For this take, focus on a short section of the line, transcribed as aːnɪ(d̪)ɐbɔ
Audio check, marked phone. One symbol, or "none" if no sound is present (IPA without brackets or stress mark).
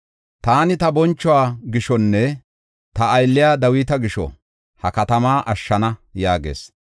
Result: t̪